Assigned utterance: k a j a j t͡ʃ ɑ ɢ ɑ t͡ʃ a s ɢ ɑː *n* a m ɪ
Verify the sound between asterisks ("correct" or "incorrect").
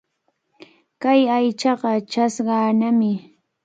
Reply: correct